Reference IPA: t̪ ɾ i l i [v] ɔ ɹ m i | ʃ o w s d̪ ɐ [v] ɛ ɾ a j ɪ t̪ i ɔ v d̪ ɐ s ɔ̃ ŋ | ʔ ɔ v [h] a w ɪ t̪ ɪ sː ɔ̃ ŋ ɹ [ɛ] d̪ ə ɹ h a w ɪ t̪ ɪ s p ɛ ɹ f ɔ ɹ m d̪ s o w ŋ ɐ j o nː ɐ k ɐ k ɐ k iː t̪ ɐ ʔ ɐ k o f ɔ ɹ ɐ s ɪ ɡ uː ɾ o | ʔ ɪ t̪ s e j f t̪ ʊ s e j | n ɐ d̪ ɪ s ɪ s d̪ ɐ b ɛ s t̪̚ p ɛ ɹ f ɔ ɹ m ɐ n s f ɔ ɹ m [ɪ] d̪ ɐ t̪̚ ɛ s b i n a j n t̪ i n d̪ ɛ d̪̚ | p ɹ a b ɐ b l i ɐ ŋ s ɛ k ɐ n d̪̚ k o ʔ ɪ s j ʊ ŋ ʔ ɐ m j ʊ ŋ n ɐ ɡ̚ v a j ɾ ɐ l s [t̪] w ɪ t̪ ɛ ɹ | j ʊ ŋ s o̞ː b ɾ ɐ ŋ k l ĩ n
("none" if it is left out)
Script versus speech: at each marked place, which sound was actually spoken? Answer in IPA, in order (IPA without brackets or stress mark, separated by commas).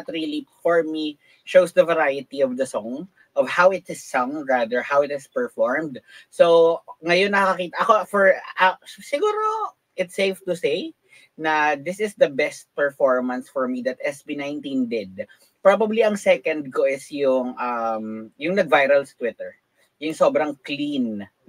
f, v, h, a, i, t̪